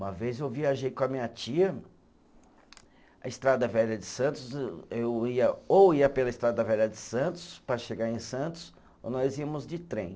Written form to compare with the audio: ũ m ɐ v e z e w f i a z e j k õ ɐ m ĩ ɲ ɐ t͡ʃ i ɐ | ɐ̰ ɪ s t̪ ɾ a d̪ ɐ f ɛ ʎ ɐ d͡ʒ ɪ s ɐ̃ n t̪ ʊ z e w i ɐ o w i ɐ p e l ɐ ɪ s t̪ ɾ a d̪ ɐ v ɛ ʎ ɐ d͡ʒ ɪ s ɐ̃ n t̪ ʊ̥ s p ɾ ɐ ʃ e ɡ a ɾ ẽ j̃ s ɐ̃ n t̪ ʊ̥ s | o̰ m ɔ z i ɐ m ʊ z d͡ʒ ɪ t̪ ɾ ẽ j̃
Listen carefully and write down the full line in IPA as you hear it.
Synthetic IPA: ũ m ɐ v e z e w v i a ʒ e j k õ ɐ m ĩ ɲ ɐ t͡ʃ i ɐ | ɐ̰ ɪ s t̪ ɾ a d̪ ɐ v ɛ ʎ ɐ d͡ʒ ɪ s ɐ̃ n t̪ ʊ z e w i ɐ o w i ɐ p e l ɐ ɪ s t̪ ɾ a d̪ ɐ v ɛ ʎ ɐ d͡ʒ ɪ s ɐ̃ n t̪ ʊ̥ s p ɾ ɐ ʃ e ɡ a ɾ ẽ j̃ s ɐ̃ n t̪ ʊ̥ s | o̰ n ɔ z i ɐ m ʊ z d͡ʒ ɪ t̪ ɾ ẽ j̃